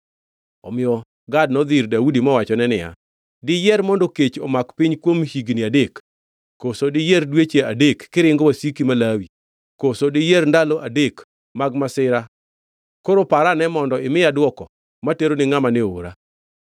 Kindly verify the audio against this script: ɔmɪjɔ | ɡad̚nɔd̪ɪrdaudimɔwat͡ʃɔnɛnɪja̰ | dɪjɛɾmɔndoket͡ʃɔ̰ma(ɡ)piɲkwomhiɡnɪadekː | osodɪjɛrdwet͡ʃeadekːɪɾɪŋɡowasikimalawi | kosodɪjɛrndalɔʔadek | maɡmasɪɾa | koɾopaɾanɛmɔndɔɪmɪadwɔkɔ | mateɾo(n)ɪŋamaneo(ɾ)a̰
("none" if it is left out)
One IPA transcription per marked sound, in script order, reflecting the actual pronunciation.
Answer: k, n, ɾ

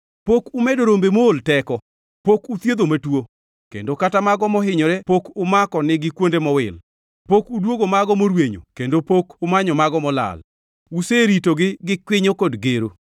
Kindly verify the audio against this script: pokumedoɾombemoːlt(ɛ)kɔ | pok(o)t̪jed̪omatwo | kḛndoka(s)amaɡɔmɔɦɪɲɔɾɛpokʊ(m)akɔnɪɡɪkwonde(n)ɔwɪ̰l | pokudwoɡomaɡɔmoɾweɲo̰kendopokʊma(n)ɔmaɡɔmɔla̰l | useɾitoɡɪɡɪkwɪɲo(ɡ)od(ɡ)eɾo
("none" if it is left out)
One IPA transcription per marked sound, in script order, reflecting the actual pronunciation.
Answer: ɛ, u, t, m, m, ɲ, k, ɡ

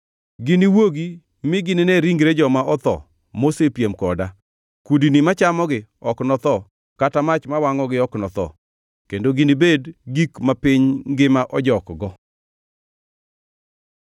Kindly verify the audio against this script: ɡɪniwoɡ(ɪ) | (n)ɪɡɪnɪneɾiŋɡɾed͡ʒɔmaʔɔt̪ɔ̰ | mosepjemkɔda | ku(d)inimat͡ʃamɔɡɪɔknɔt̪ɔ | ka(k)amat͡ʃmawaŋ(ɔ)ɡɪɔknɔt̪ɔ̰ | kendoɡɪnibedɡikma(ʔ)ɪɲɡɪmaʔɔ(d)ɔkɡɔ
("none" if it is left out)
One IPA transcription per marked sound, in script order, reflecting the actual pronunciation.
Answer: i, m, d, t, ɔ, p, d͡ʒ

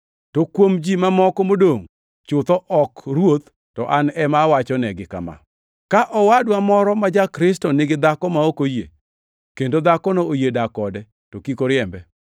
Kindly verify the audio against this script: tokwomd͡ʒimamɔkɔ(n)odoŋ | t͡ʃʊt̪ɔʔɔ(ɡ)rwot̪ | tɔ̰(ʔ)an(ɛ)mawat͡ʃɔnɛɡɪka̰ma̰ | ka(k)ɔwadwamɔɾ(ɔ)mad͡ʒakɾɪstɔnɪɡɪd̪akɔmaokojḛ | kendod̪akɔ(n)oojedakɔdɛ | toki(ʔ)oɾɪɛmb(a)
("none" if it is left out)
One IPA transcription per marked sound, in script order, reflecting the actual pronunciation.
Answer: m, k, ʔ, ɛ, ʔ, ɔ, n, k, ɛ

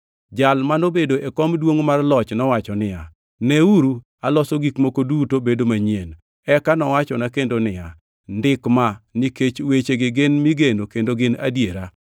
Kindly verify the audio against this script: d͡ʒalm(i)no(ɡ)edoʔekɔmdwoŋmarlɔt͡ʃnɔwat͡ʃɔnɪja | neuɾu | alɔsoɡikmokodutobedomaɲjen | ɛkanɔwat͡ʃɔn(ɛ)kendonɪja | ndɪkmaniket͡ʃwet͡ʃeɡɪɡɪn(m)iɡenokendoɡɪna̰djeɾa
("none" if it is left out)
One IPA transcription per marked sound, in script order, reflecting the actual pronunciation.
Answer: a, b, a, m

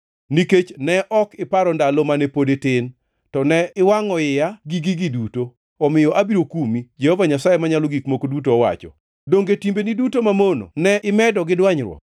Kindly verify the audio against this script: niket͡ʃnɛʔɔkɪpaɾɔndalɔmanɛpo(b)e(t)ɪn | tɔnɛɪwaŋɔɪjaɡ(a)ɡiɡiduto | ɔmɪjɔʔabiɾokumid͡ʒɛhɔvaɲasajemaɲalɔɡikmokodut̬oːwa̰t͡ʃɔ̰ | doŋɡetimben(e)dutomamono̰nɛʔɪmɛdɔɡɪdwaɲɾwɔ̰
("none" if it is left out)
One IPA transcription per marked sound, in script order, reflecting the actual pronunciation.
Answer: d, t, i, i

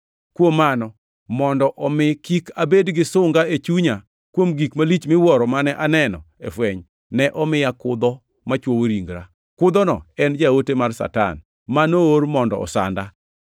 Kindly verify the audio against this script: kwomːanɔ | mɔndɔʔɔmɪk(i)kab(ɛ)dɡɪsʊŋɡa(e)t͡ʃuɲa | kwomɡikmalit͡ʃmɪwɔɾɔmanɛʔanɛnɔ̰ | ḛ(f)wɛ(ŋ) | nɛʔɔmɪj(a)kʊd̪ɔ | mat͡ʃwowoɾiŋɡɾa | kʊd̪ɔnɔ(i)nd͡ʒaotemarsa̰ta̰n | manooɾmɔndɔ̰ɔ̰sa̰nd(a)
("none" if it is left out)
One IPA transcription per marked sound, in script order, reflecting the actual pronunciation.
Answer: i, e, e, f, ɲ, a, ɛ, a

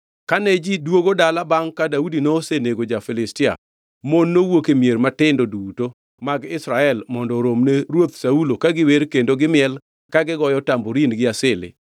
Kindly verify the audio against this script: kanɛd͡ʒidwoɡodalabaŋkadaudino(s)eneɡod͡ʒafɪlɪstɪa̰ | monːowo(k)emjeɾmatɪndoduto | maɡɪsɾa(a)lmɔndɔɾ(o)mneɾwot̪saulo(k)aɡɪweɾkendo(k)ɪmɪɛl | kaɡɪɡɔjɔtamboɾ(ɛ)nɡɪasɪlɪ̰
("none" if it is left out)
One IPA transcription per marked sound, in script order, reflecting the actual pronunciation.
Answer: s, k, ɛ, o, k, ɡ, i

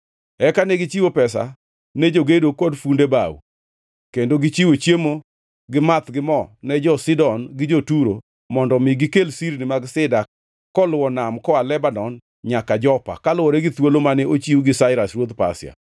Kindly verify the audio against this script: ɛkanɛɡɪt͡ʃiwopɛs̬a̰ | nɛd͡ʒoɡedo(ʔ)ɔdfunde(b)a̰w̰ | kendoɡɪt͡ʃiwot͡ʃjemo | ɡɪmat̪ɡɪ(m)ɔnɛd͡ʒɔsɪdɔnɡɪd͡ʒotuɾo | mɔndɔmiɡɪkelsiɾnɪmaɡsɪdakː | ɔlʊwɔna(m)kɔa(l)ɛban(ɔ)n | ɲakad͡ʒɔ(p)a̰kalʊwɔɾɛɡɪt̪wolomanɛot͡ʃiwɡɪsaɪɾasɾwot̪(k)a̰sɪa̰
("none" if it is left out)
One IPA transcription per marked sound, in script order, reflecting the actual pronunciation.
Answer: k, b, m, m, l, ɔ, p, p

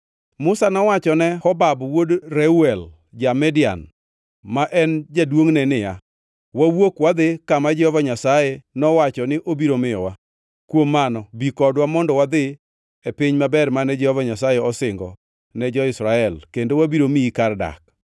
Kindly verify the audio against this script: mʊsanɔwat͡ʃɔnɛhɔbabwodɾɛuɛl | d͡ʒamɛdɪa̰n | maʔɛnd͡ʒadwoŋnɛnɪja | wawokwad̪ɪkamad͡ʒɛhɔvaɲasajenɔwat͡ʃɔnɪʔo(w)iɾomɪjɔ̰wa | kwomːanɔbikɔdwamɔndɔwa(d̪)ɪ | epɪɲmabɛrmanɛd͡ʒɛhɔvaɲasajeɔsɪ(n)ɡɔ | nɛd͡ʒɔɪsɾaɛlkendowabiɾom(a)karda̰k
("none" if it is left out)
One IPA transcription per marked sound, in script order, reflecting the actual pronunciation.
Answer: b, d̪, ŋ, i

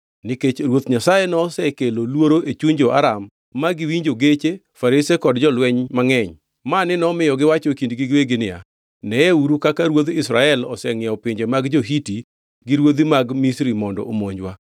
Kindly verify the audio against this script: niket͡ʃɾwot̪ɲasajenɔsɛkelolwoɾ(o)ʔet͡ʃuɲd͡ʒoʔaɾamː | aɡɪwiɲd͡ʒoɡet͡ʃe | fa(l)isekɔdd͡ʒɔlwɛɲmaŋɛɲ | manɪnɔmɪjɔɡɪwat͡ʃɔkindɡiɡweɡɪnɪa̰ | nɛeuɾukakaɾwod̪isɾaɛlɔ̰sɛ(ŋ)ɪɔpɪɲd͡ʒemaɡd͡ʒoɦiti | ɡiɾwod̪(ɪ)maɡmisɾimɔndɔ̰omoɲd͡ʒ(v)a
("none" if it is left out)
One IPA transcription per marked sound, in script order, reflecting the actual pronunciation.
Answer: o, ɾ, ŋ, i, w

